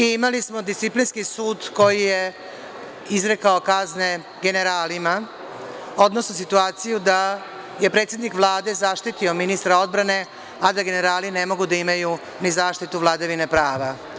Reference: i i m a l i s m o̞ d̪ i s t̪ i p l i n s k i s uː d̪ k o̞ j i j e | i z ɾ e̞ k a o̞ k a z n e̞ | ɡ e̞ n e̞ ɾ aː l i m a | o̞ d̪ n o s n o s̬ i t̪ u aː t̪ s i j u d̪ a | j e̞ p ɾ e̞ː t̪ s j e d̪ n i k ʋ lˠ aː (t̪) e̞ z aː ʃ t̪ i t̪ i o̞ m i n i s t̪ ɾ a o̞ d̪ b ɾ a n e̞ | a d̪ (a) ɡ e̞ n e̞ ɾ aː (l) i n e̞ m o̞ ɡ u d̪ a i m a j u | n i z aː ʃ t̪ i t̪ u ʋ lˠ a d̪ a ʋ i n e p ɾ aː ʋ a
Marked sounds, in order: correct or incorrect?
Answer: incorrect: d̪, correct, correct

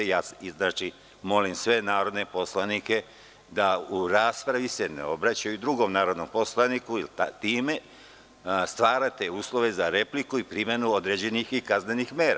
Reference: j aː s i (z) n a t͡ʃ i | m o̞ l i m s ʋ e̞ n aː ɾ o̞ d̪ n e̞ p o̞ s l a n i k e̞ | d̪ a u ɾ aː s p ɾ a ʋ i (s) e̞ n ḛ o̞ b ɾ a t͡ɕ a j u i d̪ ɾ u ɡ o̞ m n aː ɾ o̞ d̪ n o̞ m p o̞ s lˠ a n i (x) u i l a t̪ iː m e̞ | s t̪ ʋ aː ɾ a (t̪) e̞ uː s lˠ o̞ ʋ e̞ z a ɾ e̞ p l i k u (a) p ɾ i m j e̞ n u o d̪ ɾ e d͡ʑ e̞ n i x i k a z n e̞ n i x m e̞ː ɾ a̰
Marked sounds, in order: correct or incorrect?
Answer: correct, correct, incorrect: k, correct, incorrect: i

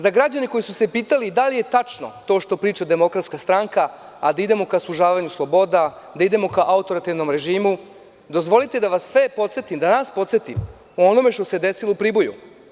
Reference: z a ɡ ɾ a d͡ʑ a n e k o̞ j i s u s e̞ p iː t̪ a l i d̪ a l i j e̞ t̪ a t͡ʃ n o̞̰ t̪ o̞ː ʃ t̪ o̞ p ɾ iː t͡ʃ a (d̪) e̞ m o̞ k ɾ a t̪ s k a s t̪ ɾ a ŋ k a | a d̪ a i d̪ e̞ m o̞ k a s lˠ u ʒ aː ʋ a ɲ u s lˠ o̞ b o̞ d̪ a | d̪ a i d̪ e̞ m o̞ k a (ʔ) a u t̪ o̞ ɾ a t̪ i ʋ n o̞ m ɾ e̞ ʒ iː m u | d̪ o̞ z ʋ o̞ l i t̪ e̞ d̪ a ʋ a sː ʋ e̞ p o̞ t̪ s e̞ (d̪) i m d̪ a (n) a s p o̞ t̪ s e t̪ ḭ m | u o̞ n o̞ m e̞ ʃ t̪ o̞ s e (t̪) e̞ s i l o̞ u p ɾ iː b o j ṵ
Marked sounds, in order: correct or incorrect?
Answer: correct, correct, incorrect: t̪, correct, incorrect: d̪

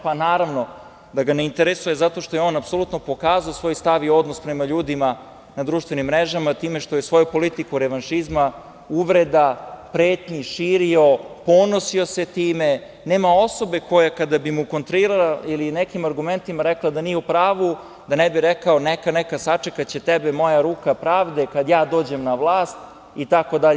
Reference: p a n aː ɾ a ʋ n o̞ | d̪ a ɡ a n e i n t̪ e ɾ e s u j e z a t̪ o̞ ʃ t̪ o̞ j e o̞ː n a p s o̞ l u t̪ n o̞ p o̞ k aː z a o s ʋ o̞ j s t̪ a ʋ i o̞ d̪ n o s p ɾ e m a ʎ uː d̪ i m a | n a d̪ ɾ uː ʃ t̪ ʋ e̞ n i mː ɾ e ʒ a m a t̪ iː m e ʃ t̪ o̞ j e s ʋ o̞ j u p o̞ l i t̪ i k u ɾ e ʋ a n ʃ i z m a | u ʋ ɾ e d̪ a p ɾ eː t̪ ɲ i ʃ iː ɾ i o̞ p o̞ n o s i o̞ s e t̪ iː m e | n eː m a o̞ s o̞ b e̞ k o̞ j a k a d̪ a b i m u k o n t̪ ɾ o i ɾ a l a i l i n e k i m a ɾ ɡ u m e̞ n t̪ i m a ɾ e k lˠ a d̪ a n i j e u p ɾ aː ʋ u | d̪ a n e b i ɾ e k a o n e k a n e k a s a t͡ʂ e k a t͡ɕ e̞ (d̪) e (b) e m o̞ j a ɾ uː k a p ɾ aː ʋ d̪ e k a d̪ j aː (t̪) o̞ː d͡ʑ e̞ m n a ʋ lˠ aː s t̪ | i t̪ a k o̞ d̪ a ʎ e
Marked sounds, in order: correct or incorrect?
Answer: incorrect: t̪, correct, incorrect: d̪

